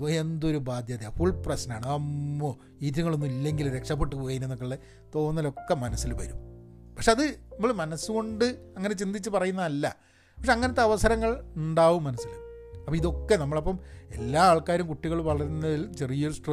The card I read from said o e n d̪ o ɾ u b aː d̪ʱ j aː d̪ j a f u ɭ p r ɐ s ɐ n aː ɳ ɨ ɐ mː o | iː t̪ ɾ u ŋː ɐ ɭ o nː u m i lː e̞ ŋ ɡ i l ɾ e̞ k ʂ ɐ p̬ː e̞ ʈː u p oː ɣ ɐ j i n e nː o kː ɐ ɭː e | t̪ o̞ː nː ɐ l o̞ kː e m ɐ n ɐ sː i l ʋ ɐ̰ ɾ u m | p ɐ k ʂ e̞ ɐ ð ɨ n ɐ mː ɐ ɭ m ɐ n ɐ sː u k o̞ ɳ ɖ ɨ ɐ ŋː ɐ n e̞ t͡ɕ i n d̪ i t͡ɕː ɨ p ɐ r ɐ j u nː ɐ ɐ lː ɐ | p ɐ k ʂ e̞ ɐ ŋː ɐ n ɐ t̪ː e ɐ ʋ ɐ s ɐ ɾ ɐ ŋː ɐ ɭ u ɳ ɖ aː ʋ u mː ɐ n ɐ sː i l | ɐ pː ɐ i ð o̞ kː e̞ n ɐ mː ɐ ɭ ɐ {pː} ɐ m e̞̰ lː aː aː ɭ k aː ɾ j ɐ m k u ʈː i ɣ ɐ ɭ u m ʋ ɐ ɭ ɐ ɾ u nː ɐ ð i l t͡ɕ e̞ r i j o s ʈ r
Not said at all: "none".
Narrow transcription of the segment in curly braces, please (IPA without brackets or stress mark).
pː